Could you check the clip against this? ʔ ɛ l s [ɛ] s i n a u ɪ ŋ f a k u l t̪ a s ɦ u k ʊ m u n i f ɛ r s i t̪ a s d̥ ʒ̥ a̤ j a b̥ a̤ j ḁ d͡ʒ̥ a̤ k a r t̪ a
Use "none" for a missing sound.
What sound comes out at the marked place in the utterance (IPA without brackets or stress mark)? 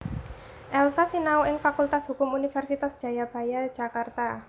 a